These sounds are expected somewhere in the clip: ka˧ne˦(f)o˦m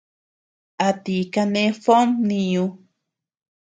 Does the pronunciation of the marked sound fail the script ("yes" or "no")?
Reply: no